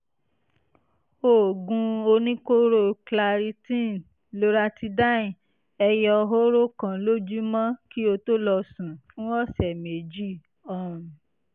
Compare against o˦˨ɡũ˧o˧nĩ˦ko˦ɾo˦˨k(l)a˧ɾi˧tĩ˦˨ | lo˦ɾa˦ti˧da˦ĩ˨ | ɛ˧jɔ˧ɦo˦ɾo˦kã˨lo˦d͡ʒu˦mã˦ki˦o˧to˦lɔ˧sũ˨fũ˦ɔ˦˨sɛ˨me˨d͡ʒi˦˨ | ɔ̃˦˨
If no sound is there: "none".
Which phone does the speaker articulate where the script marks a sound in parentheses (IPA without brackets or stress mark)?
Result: l